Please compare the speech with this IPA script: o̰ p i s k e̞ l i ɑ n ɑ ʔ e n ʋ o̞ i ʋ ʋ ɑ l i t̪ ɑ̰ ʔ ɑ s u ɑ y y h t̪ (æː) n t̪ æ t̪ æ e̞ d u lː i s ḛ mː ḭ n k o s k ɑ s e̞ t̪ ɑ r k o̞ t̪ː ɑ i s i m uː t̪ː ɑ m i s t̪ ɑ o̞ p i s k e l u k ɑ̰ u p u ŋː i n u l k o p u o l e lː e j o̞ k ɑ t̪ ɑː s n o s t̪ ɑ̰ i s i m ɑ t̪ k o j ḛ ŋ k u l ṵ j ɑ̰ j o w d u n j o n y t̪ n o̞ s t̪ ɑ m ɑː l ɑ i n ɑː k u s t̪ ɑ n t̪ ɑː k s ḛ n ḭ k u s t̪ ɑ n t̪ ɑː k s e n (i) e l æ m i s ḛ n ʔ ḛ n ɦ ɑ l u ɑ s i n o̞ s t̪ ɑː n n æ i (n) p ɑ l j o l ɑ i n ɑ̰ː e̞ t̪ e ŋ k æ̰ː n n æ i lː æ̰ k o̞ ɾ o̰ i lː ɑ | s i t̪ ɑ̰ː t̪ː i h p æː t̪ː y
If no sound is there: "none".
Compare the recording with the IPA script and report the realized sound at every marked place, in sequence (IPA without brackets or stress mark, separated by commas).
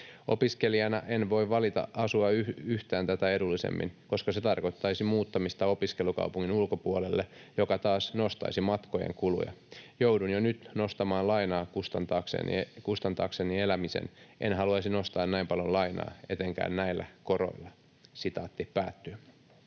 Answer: æː, i, m